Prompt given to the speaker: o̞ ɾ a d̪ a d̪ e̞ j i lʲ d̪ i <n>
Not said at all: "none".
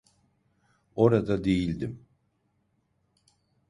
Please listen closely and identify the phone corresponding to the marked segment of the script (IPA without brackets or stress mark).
m